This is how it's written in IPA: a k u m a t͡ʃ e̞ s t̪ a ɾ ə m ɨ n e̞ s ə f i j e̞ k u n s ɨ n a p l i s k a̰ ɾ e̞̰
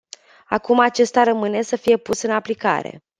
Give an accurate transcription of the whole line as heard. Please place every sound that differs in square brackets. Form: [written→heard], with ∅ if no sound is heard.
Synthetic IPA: a k u m a t͡ʃ e̞ s t̪ a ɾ ə m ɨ n e̞ s ə f i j e̞ [k→p] u [n→∅] s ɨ n a p l i [s→∅] k a̰ ɾ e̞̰